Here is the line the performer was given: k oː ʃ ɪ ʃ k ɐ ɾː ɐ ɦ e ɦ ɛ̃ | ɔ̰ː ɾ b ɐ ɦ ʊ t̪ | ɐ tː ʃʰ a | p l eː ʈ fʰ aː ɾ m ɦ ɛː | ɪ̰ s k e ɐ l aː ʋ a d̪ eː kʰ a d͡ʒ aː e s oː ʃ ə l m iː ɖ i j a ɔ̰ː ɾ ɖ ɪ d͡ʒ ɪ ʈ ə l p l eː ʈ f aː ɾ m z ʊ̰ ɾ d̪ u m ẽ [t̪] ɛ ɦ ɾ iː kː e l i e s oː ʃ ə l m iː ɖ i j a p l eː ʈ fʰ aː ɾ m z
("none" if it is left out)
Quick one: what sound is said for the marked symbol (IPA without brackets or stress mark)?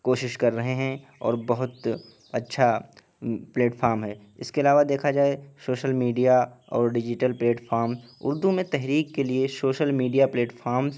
t̪